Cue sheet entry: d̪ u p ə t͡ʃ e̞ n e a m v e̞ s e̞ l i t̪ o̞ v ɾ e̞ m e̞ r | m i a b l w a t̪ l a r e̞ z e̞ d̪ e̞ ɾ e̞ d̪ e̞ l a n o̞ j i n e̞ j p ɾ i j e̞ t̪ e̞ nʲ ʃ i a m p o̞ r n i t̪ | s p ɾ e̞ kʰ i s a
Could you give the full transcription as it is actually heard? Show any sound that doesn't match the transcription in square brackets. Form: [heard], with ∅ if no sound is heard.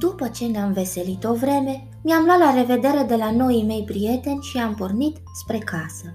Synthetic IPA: d̪ u p ə t͡ʃ e̞ n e a m v e̞ s e̞ l i t̪ o̞ v ɾ e̞ m e̞ [∅] | m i a [m] l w a t̪ l a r e̞ [v] e̞ d̪ e̞ ɾ e̞ d̪ e̞ l a n o̞ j i [m] e̞ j p ɾ i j e̞ t̪ e̞ nʲ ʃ i a m p o̞ r n i t̪ | s p ɾ e̞ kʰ [a] s [ə]